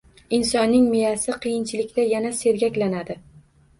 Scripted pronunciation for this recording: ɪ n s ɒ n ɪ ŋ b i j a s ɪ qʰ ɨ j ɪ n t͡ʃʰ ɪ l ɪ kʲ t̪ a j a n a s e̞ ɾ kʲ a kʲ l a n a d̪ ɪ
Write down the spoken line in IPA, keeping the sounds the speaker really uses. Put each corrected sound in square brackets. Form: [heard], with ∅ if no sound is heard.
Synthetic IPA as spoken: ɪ n s ɒ [nː] ɪ ŋ [m] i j a s ɪ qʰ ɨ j ɪ n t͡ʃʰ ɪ l ɪ kʲ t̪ a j a n a s e̞ ɾ [ɡʲ] a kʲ l a n a d̪ ɪ